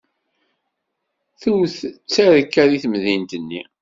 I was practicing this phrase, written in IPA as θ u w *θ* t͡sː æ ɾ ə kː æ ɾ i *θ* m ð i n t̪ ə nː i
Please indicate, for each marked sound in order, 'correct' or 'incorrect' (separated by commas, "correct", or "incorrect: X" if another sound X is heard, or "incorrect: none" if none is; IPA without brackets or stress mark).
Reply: correct, correct